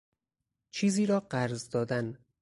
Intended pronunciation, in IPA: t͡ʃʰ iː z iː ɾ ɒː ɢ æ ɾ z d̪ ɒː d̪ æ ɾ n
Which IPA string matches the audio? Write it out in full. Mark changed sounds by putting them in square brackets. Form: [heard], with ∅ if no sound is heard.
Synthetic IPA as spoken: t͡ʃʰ iː z iː ɾ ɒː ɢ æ ɾ z d̪ ɒː d̪ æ [∅] n